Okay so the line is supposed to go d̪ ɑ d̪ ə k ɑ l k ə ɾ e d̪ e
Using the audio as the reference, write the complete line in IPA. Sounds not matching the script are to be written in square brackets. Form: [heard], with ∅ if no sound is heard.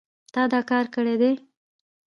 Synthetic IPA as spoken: [t̪] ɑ d̪ [ɑ] k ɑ [ɾ] k ə [ɽ] e d̪ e